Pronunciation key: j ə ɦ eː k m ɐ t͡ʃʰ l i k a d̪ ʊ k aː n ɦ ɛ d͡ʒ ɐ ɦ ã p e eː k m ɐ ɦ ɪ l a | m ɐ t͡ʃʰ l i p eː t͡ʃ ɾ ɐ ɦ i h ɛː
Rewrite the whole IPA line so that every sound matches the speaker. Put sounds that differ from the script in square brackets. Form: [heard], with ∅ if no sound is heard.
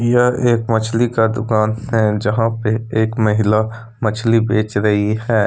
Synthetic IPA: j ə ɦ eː k m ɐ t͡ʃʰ l i k a d̪ ʊ k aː n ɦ ɛ d͡ʒ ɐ ɦ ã p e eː k m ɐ ɦ ɪ l a | m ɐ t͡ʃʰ l i [b] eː t͡ʃ ɾ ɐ ɦ i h ɛː